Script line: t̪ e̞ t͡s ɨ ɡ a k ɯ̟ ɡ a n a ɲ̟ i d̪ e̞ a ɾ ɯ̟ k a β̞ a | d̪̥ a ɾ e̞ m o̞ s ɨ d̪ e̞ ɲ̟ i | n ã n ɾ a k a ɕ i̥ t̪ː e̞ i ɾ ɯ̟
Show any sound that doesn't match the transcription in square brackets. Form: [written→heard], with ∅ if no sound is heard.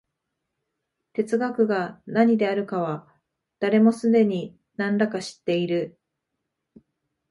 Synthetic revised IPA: t̪ e̞ t͡s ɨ ɡ a k ɯ̟ ɡ a n a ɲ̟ i d̪ e̞ a ɾ ɯ̟ k a β̞ a | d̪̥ a ɾ e̞ m o̞ s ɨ d̪ e̞ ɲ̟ i | n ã n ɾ a k a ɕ i̥ t̪ː e̞ i ɾ ɯ̟